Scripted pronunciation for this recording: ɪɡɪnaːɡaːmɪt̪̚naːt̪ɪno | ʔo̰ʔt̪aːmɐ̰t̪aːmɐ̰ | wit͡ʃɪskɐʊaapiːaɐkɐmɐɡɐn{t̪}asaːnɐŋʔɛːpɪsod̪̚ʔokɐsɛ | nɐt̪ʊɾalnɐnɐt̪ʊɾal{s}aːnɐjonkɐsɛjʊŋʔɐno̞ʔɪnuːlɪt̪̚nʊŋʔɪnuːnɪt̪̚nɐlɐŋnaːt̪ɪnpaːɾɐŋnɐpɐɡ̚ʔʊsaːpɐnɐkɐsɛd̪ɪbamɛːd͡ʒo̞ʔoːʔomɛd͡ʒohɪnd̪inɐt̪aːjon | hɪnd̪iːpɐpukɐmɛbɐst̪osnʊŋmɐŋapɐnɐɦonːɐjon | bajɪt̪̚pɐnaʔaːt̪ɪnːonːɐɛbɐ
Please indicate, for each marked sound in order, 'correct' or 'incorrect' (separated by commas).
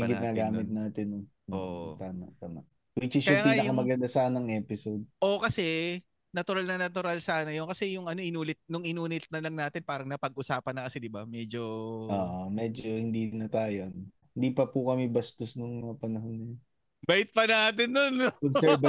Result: incorrect, correct